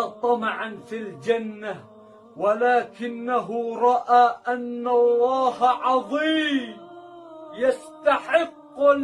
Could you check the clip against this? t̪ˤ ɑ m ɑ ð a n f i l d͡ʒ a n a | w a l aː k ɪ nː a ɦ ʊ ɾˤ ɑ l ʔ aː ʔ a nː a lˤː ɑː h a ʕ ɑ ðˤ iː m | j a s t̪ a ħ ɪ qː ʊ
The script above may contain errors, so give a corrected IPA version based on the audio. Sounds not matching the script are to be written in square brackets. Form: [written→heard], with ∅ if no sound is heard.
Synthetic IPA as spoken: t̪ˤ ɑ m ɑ [ð→ʕ] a n f i l d͡ʒ a [n→nː] a | w a l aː k ɪ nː a ɦ ʊ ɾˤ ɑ [l→∅] ʔ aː ʔ a nː a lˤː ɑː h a ʕ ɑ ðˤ iː m | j a s t̪ a ħ ɪ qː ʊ